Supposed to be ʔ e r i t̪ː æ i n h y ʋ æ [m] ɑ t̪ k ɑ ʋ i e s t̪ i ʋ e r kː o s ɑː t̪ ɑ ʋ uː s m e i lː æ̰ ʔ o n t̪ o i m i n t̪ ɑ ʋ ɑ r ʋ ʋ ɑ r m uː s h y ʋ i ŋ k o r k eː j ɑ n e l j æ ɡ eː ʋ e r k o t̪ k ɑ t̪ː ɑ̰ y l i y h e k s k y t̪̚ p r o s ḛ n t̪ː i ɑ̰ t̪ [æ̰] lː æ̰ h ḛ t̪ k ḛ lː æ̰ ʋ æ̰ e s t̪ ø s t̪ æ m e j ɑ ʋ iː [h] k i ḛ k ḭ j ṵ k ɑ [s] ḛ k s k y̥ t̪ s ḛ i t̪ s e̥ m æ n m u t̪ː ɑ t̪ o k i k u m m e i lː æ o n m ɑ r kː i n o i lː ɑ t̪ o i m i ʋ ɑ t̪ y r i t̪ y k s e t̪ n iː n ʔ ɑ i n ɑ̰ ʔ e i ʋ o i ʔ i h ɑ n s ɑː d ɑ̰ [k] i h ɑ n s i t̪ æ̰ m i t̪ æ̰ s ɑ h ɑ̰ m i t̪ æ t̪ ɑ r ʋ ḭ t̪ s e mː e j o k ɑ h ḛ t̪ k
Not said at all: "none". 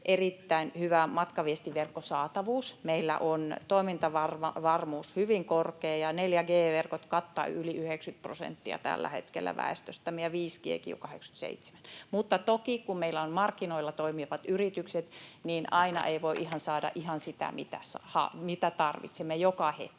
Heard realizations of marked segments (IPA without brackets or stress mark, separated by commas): m, æ̰, s, h, ʔ